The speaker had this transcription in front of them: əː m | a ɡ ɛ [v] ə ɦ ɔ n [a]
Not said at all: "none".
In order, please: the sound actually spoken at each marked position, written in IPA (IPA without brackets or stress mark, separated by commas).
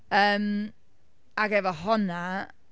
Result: v, a